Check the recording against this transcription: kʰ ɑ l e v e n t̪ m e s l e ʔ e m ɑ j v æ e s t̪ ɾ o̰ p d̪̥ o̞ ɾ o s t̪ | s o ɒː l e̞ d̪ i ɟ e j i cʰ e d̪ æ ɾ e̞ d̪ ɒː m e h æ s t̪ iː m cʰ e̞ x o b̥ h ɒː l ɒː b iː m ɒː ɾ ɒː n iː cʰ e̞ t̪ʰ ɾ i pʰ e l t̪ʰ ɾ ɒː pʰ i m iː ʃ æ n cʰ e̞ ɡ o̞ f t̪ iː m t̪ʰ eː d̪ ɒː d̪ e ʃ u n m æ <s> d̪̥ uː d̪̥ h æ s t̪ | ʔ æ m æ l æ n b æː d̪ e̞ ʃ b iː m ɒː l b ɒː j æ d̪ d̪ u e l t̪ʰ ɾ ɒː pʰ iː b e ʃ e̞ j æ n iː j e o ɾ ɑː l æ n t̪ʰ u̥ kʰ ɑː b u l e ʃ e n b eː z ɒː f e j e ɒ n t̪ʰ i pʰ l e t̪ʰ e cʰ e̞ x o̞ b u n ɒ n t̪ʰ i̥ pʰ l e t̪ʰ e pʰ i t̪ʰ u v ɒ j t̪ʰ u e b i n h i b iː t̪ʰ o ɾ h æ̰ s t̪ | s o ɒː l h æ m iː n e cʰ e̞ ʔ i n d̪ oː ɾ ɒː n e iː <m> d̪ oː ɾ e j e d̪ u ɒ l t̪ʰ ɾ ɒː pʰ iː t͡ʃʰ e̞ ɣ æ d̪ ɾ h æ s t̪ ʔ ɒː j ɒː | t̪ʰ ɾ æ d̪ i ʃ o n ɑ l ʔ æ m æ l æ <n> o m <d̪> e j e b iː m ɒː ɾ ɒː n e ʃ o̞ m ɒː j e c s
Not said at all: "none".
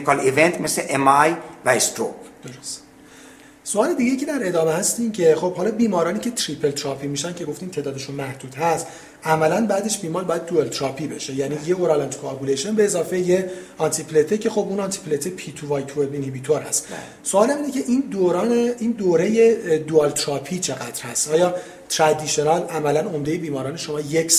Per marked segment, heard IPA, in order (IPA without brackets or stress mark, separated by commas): h, n, n, d̪